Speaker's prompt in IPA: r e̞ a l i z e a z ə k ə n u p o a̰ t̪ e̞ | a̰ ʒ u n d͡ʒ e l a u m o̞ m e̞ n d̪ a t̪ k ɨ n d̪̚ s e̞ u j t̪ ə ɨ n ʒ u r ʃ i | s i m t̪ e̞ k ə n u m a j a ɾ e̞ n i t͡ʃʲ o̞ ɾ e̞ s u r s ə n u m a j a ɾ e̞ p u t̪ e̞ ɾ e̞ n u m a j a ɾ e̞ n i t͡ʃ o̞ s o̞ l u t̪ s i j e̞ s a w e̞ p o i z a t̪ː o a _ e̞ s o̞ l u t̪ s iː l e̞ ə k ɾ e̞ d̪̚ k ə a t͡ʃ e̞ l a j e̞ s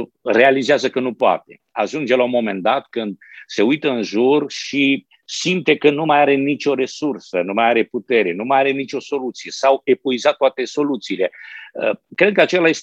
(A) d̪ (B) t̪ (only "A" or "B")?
B